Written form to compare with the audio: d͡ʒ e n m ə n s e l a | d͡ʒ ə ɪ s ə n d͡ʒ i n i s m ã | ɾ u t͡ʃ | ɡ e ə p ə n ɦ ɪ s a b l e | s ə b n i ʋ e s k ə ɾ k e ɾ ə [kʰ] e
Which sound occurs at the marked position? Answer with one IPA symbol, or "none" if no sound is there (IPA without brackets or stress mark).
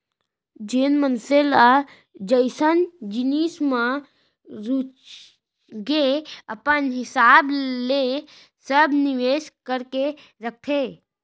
kʰ